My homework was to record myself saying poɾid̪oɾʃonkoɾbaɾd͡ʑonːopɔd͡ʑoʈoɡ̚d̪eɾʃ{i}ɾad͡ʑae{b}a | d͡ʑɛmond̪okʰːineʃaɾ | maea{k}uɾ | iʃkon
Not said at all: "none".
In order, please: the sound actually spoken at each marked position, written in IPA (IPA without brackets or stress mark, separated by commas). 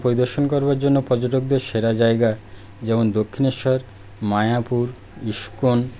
e, ɡ, p